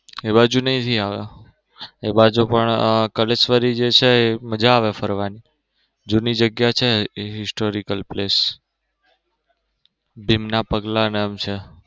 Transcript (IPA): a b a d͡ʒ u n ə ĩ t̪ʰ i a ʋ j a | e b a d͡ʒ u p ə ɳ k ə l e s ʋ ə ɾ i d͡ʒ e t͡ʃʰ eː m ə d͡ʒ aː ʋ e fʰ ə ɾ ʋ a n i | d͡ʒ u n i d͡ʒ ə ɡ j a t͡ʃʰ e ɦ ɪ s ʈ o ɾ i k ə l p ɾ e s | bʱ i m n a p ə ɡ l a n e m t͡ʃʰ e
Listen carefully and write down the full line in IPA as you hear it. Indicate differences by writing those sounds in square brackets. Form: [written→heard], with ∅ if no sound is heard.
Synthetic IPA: [a→e] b a d͡ʒ u n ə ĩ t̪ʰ i a ʋ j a | e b a d͡ʒ u p ə ɳ k ə l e s ʋ ə ɾ i d͡ʒ e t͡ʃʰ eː m ə d͡ʒ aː ʋ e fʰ ə ɾ ʋ a n i | d͡ʒ u n i d͡ʒ ə ɡ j a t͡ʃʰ e ɦ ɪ s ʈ o ɾ i k ə l p [ɾ→l] e s | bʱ i m n a p ə ɡ l a n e m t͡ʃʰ e